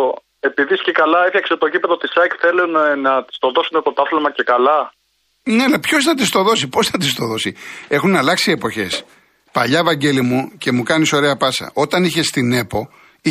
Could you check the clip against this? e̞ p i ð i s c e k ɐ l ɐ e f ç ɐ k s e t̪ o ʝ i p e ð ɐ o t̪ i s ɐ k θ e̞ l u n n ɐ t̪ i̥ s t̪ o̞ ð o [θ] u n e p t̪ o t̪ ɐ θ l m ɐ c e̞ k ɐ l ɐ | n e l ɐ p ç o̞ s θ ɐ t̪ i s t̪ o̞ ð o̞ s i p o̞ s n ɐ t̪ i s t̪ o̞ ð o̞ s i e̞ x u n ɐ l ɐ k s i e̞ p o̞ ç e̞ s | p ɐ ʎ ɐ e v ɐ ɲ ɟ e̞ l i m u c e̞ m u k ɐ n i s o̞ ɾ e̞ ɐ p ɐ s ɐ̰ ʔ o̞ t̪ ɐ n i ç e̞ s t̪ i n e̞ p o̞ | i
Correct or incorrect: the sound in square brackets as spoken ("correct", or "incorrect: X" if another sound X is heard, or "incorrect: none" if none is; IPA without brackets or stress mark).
incorrect: s